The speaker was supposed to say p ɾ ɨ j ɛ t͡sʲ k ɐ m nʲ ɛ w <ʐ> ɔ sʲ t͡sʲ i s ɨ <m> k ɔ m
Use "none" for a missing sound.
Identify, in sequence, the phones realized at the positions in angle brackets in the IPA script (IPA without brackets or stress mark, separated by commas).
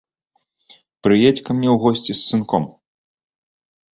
ɣ, n